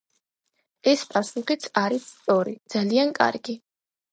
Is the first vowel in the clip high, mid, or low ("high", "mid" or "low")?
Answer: mid